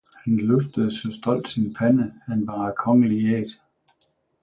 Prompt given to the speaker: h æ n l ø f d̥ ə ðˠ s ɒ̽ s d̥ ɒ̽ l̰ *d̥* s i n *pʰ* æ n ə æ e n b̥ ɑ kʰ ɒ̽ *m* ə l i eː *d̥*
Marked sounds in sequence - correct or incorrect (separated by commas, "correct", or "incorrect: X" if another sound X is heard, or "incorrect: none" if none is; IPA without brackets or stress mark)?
correct, correct, incorrect: ŋ, correct